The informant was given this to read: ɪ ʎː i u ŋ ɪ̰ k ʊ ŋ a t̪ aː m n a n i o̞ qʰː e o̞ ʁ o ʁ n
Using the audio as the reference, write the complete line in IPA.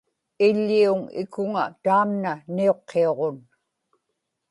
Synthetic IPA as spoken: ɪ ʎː i u ŋ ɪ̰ k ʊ ŋ a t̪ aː m n a n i o̞ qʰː e o̞ ʁ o n

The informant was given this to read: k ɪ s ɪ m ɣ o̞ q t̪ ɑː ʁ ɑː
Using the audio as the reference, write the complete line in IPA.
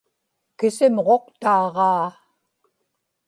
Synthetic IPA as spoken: k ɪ s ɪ m ʁ o̞ q t̪ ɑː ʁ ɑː

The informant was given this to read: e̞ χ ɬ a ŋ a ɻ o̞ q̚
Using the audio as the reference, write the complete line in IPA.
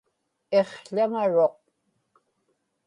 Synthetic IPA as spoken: e̞ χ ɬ a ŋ a ɻ o̞ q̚

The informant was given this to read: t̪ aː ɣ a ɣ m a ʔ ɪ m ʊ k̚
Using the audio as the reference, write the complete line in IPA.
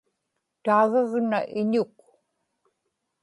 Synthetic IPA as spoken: t̪ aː ɣ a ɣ n a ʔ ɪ ɲ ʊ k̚

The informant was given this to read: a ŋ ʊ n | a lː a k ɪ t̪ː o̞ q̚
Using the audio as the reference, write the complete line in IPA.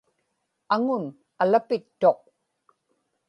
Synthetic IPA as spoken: a ŋ ʊ n | a l a p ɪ t̪ː o̞ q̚

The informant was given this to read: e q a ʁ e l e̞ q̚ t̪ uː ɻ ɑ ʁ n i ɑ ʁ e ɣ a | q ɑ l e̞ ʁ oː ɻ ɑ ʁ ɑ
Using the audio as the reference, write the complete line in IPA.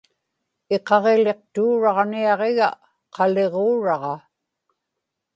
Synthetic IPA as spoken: e q ɑ ʁ e l e̞ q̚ t̪ uː ɻ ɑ ʁ n i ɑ ʁ e ɣ a | q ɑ l e̞ ʁ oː ɻ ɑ ʁ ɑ

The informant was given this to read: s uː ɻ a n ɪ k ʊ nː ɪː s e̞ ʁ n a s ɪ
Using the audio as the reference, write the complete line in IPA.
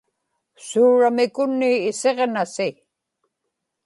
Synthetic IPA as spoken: s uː ɻ a m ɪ k ʊ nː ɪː s e̞ ʁ n a s ɪ

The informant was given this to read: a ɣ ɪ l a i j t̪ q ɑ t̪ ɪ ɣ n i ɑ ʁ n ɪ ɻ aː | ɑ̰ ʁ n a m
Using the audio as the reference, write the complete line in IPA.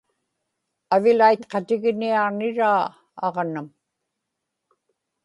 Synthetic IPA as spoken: a v ɪ l a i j t̪ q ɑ t̪ ɪ ɣ n i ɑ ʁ n ɪ ɻ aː | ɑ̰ ʁ n a m

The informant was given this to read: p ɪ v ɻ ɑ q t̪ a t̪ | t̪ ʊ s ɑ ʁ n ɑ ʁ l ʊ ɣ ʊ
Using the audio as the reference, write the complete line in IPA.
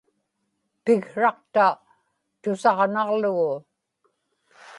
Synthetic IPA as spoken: p ɪ ɣ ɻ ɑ q t̪ a | t̪ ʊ s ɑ ʁ n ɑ ʁ l ʊ ɣ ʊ

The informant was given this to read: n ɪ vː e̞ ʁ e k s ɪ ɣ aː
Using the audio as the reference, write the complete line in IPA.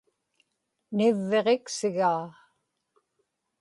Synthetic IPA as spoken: n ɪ vː e̞ ʁ e k s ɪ ɣ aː

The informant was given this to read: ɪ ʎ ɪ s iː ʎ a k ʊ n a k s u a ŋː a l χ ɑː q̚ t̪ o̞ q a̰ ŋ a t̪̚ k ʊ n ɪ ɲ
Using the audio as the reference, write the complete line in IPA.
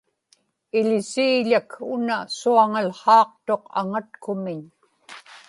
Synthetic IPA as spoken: ɪ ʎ ɪ s iː ʎ a k ʊ n a s u a ŋ a l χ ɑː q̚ t̪ o̞ q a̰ ŋ a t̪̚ k ʊ m ɪ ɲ

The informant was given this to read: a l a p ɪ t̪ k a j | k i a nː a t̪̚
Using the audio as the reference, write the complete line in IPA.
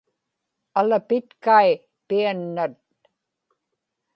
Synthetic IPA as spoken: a l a p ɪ t̪ k a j | p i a nː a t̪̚

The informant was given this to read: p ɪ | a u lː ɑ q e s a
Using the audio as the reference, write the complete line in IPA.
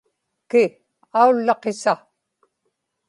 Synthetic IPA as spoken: k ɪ | a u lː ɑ q e s a

